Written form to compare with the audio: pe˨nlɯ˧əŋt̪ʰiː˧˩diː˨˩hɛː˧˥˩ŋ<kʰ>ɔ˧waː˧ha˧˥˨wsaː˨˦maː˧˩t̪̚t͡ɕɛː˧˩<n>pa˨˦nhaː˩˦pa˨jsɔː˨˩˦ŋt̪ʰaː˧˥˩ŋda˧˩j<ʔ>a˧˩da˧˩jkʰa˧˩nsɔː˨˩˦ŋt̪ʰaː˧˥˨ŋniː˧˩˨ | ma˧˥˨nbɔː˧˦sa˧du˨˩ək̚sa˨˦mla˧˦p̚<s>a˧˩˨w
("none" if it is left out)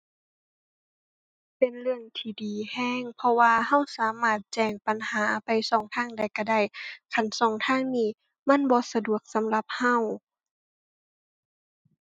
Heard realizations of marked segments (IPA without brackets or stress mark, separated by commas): pʰ, ŋ, k, h